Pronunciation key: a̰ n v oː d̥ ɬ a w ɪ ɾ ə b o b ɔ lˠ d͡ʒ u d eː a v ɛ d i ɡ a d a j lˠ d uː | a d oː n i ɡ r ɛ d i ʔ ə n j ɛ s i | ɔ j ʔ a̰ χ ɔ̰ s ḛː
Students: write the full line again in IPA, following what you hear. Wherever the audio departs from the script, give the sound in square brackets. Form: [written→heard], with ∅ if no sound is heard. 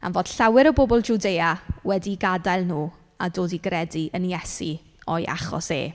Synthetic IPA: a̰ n v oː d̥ ɬ a w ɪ ɾ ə b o b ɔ lˠ d͡ʒ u d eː a [v→w] ɛ d i ɡ a d a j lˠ [d→n] uː | a d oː [n→d] i ɡ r ɛ d i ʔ ə n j ɛ s i | ɔ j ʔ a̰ χ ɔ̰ s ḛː